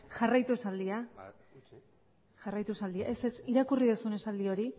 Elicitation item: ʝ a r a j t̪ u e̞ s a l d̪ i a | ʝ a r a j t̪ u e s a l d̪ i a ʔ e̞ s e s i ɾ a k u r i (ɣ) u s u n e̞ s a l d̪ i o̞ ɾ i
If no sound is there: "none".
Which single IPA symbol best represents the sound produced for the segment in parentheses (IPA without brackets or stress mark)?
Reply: ð